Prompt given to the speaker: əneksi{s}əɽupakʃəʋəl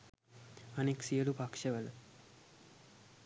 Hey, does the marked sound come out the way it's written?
no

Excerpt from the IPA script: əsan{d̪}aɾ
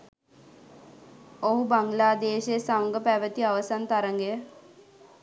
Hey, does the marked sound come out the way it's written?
no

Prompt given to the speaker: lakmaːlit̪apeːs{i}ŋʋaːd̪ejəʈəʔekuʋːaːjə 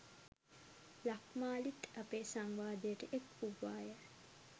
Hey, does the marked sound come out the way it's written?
no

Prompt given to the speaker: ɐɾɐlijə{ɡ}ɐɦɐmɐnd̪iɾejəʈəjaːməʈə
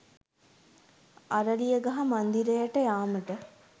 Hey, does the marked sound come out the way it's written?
yes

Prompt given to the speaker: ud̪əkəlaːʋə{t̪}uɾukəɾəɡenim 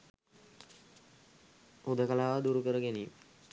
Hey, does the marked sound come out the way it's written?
no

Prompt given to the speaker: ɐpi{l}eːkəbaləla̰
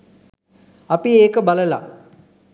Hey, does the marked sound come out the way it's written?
no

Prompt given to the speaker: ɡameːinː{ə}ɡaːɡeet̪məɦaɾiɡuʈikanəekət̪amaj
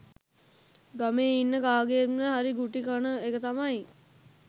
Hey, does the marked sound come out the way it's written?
yes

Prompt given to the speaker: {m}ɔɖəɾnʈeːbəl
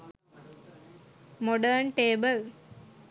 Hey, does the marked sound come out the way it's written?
yes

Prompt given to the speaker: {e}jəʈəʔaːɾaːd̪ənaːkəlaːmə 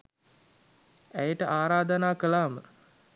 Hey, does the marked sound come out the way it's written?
no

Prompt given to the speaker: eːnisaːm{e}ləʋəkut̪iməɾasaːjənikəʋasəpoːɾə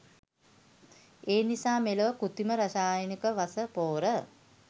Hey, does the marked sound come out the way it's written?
yes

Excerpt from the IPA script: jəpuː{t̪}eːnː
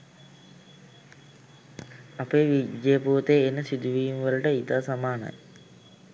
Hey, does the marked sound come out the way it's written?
yes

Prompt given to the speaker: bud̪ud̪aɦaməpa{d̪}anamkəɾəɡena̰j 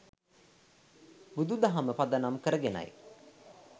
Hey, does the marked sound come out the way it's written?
yes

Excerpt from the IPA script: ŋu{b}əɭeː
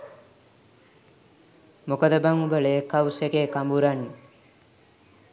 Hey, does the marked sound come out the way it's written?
yes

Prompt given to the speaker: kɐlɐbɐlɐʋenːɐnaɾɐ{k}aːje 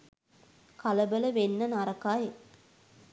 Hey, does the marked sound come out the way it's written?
yes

